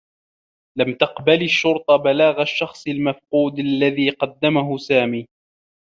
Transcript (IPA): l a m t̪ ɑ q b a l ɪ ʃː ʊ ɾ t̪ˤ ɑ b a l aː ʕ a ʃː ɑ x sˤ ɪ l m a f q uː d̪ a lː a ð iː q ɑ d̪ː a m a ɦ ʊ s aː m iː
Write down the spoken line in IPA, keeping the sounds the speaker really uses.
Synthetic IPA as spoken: l a m t̪ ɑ q b a l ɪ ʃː ʊ ɾ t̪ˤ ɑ b a l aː ɣ a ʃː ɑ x sˤ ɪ l m a f q uː d̪ a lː a ð iː q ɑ d̪ː a m a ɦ ʊ s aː m iː

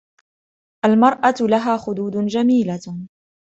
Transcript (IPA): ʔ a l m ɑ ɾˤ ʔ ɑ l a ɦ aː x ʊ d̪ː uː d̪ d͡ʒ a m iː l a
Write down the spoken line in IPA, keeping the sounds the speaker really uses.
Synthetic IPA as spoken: ʔ a l m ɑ ɾˤ ʔ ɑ l a ɦ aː x ʊ d̪ uː d̪ d͡ʒ a m iː l a

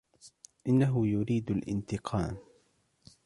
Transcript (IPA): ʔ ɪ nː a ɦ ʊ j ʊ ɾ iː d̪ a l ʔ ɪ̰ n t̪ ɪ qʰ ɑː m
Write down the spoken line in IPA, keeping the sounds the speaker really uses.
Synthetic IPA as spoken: ʔ ɪ nː a ɦ ʊ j ʊ ɾ iː d̪ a l ʔ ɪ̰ n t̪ ɪ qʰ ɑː m

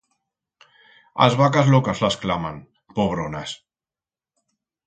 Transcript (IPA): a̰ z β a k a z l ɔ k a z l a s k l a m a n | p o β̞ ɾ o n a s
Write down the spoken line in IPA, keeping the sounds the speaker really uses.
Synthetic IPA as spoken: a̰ z β a k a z l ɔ k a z l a s k l a m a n | p o β̞ ɾ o n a s

